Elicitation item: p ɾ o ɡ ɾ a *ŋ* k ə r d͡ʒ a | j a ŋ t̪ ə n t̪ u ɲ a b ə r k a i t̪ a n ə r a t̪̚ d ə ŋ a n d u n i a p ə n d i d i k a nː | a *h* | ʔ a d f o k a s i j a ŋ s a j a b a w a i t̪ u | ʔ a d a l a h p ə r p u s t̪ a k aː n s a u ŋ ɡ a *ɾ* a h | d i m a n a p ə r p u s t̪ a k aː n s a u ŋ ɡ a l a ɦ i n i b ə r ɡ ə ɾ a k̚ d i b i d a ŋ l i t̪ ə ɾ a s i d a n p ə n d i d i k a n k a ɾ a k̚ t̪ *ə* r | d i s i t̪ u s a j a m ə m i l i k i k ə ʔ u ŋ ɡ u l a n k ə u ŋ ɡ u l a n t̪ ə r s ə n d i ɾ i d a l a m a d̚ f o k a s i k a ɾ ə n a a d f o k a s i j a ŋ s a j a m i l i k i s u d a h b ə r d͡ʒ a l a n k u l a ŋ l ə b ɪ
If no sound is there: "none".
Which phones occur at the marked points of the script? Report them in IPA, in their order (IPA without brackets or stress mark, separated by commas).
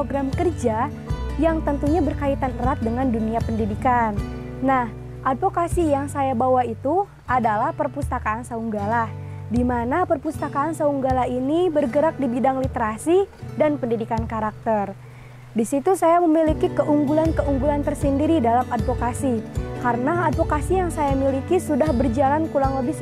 m, h, l, ə